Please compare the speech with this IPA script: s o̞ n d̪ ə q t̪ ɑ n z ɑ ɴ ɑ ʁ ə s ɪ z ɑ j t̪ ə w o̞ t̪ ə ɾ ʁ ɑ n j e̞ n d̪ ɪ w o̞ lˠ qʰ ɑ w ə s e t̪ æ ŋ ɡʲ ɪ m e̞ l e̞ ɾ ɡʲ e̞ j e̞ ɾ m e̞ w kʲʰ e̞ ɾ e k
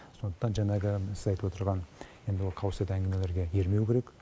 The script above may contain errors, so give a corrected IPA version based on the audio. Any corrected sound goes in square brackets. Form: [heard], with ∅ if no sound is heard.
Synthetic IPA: s o̞ n d̪ ə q t̪ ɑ n [ʒ] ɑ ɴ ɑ ʁ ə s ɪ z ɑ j t̪ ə w o̞ t̪ ə ɾ ʁ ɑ n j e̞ n d̪ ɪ w o̞ lˠ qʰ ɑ w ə s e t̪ æ ŋ ɡʲ ɪ m e̞ l e̞ ɾ ɡʲ e̞ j e̞ ɾ m e̞ w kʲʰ e̞ ɾ e k